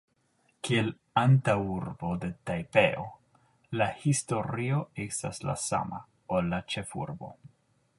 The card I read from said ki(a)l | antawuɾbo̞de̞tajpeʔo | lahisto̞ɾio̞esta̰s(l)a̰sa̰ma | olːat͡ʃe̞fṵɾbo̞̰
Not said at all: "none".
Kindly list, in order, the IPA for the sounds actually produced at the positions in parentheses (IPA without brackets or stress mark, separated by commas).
e, l